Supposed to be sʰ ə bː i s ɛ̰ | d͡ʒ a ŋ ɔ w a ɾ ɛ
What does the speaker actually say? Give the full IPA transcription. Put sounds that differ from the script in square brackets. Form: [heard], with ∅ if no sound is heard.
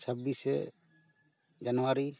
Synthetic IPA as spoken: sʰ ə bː i s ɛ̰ | d͡ʒ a [n] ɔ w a ɾ [i]